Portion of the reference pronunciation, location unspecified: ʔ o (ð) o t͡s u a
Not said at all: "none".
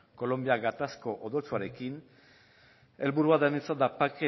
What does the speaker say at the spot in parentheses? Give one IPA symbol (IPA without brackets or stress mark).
ð